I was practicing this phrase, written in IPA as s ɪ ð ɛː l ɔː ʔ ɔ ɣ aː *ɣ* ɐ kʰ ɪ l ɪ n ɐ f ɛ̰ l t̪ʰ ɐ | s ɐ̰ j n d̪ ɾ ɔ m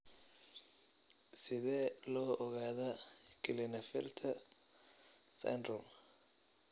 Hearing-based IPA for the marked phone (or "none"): ð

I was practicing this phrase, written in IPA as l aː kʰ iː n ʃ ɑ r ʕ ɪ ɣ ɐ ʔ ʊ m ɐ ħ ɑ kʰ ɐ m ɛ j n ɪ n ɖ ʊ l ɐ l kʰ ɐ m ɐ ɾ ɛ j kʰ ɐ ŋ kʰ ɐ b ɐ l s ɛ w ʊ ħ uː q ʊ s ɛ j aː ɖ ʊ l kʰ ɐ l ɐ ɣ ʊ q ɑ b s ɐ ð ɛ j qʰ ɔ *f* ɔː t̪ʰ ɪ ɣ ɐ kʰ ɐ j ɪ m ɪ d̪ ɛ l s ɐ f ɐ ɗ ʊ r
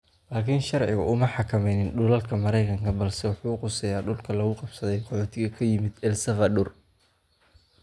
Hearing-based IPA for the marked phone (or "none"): ħ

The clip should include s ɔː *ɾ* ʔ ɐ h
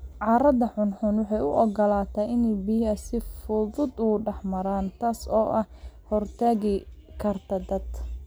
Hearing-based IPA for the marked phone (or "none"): none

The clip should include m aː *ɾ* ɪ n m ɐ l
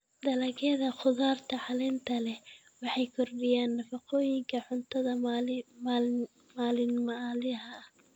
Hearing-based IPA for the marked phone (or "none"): l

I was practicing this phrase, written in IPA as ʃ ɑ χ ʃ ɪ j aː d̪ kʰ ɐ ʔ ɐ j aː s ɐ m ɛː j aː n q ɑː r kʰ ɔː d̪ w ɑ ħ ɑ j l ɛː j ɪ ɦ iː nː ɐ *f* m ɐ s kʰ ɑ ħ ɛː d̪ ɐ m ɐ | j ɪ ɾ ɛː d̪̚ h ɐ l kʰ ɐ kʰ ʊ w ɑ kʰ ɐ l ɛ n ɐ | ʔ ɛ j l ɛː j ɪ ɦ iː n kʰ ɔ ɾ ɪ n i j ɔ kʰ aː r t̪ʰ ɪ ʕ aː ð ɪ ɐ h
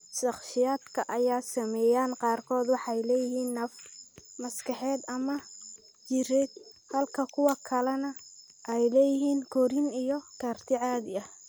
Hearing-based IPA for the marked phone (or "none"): f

